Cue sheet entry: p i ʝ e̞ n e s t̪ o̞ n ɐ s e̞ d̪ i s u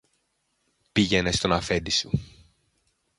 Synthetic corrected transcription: p i ʝ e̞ n e s t̪ o̞ n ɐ f e̞ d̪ i s u